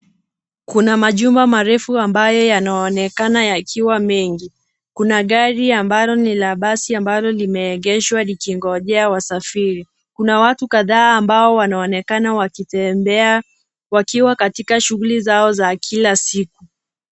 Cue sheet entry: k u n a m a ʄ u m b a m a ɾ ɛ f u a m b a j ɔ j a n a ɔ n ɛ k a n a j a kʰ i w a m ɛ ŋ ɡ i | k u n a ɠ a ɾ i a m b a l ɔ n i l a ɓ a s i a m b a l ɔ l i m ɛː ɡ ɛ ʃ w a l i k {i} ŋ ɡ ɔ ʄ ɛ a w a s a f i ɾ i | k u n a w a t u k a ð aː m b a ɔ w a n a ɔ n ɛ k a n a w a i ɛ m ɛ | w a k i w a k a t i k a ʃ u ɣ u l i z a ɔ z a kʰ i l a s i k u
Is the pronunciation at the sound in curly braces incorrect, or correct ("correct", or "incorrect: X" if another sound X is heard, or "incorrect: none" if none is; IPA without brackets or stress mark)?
correct